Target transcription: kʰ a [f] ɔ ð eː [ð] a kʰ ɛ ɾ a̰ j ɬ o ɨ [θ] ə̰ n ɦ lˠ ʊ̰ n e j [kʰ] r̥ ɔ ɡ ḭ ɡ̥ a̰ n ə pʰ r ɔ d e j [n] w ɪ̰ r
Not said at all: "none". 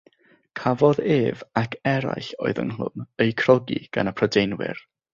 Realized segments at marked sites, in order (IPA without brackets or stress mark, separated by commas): v, v, ð, kʰ, n